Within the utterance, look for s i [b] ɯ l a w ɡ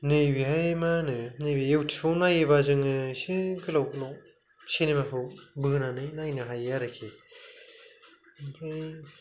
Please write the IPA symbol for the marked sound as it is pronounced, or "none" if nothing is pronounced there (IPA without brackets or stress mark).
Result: ɡ